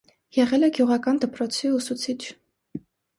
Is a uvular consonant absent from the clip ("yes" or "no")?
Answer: no